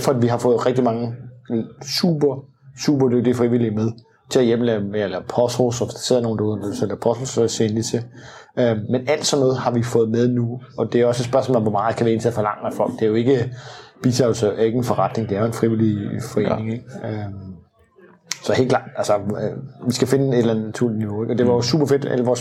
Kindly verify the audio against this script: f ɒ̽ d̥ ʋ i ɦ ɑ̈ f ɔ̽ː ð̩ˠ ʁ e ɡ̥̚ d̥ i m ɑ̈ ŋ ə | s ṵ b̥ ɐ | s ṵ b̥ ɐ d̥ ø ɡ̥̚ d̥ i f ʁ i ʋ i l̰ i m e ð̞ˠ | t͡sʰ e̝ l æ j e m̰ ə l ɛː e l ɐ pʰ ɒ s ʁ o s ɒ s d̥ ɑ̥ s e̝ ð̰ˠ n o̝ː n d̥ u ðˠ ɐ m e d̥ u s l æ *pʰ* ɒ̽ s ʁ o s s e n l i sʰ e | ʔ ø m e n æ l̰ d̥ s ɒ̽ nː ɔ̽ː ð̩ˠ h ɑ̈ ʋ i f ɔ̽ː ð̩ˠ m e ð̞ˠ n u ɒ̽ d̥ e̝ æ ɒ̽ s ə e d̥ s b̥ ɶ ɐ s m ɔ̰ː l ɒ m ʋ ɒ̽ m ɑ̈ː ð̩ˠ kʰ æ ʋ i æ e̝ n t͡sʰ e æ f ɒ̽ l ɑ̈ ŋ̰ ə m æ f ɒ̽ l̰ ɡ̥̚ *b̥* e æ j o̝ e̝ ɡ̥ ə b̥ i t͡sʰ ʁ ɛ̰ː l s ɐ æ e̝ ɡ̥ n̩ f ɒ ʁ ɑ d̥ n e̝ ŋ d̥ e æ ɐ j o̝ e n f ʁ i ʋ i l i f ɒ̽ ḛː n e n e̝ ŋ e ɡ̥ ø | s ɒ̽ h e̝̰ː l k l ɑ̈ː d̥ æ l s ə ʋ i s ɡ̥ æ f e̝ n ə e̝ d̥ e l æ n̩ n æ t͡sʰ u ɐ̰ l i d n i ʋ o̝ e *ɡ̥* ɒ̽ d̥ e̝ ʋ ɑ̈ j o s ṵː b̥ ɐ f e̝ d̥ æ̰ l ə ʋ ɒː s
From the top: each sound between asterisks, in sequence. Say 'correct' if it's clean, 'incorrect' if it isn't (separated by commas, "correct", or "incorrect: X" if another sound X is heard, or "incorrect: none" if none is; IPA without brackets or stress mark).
correct, incorrect: d̥, correct